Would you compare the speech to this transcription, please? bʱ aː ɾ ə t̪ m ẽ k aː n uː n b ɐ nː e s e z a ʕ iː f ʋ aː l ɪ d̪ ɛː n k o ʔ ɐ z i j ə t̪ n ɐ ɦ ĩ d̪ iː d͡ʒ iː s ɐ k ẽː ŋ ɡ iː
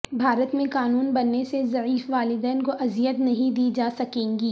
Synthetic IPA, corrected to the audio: bʱ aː ɾ ə t̪ m ẽ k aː n uː n b ɐ nː e s e z ɐ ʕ iː f ʋ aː l ɪ d̪ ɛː n k o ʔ ɐ z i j ə t̪ n ɐ ɦ ĩ d̪ iː d͡ʒ aː s ɐ k ẽː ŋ ɡ iː

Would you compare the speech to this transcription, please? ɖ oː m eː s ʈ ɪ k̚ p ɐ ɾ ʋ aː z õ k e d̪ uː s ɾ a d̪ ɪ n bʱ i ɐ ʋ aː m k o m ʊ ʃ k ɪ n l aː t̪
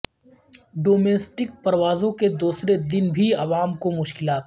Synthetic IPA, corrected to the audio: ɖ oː m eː s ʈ ɪ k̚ p ɐ ɾ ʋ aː z õ k e d̪ uː s ɾ e d̪ ɪ n bʱ i ɐ ʋ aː m k o m ʊ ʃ k ɪ l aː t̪

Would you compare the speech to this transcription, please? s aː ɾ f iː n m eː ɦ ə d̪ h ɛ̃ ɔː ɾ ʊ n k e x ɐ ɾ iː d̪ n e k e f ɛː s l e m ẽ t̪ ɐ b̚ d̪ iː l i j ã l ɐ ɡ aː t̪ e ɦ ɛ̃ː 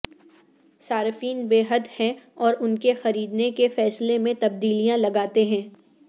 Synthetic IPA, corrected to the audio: s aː ɾ f iː n b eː ɦ ə d̪ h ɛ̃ ɔː ɾ ʊ n k e x ɐ ɾ iː d̪ n e k e f ɛː s l e m ẽ t̪ ɐ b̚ d̪ iː l i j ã l ɐ ɡ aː t̪ e ɦ ɛ̃ː

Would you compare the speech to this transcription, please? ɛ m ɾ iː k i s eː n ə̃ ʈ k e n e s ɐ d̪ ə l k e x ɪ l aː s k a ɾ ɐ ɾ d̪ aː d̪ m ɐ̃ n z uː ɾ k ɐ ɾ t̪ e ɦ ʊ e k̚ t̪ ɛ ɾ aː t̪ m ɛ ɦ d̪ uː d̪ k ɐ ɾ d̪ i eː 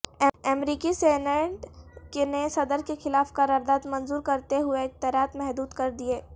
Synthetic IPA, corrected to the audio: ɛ m ɾ iː k i s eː n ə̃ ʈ k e n e s ɐ d̪ ə ɾ k e x ɪ l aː f k a ɾ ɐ ɾ d̪ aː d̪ m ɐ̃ n z uː ɾ k ɐ ɾ t̪ e ɦ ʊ e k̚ t̪ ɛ ɾ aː t̪ m ɛ ɦ d̪ uː d̪ k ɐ ɾ d̪ i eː

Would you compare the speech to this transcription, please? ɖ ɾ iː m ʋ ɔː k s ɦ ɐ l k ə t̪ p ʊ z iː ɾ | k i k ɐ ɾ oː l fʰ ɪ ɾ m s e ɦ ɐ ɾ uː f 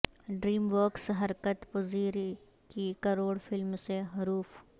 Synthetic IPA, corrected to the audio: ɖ ɾ iː m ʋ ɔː k s ɦ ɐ ɾ k ə t̪ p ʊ z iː ɾ | k i k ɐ ɾ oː ɽ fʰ ɪ l m s e ɦ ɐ ɾ uː f

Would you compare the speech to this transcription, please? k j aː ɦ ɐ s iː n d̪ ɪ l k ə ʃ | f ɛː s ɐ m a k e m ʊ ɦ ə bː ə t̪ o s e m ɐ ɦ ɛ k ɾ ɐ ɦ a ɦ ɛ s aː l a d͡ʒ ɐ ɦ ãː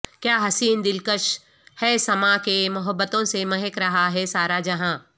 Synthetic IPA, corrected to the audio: k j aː ɦ ɐ s iː n d̪ ɪ l k ə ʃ | h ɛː s ɐ m a k e m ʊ ɦ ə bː ə t̪ õ s e m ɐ ɦ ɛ k ɾ ɐ ɦ a ɦ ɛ s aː ɾ a d͡ʒ ɐ ɦ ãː

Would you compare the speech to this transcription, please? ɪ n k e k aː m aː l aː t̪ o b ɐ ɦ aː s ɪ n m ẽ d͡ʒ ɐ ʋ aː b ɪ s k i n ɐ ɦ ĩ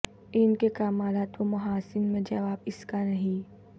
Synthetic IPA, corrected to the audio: ɪ n k e k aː m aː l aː t̪ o m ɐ ɦ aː s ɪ n m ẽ d͡ʒ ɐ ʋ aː b ɪ s k a n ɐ ɦ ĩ

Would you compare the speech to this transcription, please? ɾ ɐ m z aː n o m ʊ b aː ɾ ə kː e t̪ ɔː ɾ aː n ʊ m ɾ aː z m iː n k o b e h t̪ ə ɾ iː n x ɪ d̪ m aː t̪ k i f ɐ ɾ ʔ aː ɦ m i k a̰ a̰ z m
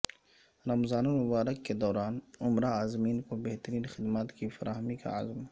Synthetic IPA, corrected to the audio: ɾ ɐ m z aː n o m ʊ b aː ɾ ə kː e d̪ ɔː ɾ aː n ʊ m ɾ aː z m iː n k o b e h t̪ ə ɾ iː n x ɪ d̪ m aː t̪ k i f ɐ ɾ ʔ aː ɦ m i k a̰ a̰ z m

